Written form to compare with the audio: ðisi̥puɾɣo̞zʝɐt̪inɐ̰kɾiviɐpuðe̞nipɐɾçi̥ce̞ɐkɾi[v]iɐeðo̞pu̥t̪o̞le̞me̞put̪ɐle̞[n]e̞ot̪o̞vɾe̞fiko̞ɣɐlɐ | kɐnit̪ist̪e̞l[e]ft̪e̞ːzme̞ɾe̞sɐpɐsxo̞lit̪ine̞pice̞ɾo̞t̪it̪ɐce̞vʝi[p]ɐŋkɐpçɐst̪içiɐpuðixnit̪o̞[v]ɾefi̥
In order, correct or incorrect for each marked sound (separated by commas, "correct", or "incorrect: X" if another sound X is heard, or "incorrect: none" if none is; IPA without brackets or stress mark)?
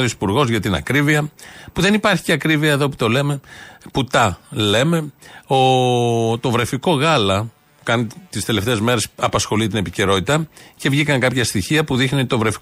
correct, incorrect: m, correct, incorrect: k, correct